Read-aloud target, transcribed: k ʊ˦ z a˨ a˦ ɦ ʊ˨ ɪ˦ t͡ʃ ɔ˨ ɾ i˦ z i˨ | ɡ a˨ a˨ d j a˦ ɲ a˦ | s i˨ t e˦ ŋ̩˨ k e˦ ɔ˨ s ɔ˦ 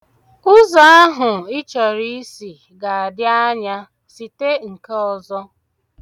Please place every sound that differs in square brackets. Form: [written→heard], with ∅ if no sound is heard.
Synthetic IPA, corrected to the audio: k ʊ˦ z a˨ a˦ ɦ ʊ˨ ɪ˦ t͡ʃ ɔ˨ ɾ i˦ [z→s] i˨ | ɡ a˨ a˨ d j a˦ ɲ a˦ | s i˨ t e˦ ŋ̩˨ k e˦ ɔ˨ [s→z] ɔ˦